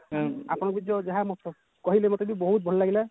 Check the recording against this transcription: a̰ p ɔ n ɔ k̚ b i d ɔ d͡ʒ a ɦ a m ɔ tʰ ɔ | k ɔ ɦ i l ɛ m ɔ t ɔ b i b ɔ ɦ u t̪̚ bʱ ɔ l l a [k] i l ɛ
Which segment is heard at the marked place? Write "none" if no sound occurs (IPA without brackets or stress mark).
ɡ